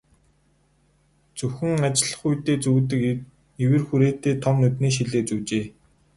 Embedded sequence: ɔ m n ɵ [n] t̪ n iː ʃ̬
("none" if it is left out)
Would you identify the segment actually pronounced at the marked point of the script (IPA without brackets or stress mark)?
none